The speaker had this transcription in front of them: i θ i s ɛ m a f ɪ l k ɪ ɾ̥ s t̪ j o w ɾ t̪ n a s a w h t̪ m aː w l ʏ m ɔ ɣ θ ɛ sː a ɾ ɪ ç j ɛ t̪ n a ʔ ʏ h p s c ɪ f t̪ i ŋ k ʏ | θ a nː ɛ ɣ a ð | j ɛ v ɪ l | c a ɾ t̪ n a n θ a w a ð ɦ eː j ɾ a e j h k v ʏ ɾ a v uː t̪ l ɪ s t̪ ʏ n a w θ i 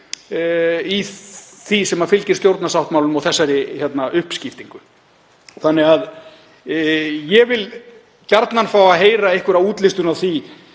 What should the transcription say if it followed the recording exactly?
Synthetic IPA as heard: i θ i s ɛ m a f ɪ l c ɪ ɾ̥ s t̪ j o w ɾ t̪ n a s a w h t̪ m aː w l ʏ m ɔ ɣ θ ɛ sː a ɾ ɪ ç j ɛ t̪ n a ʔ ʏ h p s c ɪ f t̪ i ŋ k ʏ | θ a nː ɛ ɣ a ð | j ɛ v ɪ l | c a ɾ t̪ n a n f a w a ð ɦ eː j ɾ a e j h k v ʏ ɾ a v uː t̪ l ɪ s t̪ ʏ n a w θ i